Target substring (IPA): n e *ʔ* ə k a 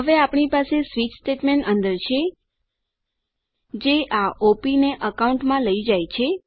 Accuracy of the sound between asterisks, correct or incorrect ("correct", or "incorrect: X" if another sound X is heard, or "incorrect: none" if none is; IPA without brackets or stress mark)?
correct